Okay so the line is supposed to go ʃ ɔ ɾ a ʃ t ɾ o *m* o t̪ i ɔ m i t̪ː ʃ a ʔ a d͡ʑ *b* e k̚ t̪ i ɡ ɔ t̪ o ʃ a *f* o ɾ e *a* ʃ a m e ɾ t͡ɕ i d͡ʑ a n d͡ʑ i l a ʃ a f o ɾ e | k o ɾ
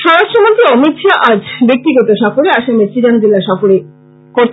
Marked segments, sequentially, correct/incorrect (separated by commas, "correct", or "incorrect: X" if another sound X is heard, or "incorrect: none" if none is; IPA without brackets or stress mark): correct, correct, correct, correct